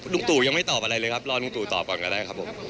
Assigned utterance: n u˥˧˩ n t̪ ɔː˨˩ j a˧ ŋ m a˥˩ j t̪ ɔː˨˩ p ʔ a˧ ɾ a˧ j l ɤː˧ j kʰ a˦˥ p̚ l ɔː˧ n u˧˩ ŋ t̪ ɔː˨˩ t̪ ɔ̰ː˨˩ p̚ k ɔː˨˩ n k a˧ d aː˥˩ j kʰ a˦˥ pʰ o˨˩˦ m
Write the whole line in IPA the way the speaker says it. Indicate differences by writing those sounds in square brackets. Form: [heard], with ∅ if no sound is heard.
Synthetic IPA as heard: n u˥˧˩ [ŋ] t̪ [uː˨˩] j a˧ ŋ m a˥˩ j t̪ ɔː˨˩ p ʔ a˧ ɾ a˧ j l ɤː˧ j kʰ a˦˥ p̚ l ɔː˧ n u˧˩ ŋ t̪ [uː˨˩] t̪ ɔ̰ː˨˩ p̚ k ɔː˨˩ n k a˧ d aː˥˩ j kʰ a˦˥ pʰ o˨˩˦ m